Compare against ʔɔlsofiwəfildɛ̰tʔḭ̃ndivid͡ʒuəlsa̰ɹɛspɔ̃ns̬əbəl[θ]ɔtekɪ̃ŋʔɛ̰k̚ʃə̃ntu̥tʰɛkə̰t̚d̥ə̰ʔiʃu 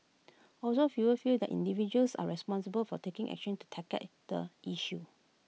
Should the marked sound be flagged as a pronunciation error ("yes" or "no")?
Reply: yes